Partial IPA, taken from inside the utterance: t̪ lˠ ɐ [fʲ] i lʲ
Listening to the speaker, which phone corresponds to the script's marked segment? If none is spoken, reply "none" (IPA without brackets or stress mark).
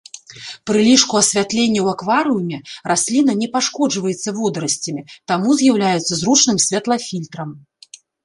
fʲ